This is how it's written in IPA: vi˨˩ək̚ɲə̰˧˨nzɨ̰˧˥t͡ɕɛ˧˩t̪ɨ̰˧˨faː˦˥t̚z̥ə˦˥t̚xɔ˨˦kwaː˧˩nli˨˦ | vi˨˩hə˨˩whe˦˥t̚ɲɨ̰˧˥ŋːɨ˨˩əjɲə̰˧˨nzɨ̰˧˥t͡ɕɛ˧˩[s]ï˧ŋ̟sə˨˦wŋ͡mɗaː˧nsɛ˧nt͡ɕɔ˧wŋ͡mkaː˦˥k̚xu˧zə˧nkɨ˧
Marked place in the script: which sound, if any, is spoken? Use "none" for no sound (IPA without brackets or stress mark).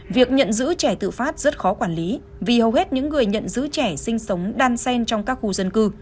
s